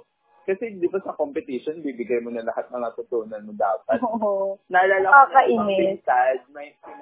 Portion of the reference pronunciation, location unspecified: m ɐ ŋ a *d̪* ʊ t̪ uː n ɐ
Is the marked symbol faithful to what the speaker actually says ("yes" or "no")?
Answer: no